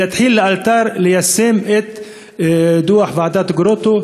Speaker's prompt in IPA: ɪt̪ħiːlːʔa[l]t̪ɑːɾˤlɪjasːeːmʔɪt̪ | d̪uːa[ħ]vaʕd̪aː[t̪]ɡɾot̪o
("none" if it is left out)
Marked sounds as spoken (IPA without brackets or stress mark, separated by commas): l, ħ, t̪